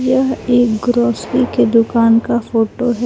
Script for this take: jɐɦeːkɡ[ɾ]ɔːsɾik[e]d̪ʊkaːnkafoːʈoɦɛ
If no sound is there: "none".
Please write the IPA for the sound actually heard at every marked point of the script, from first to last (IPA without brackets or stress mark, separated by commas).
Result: ɾ, e